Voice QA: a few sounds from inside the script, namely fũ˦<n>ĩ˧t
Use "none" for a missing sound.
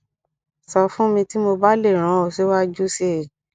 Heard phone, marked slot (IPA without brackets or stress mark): m